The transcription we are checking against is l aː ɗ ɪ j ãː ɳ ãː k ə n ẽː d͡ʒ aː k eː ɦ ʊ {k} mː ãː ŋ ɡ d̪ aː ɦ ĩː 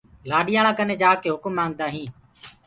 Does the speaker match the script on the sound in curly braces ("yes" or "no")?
yes